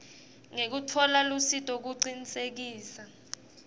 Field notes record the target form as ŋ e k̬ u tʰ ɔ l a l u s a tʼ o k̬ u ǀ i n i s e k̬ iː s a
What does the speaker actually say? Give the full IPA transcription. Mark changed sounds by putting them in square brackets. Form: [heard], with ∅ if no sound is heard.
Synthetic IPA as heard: ŋ e k̬ u tʰ ɔ l a l u s [i] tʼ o k̬ u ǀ i n i s e k̬ iː s a